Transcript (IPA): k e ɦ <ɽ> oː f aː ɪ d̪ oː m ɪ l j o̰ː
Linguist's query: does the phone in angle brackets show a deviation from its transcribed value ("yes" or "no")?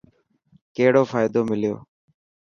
no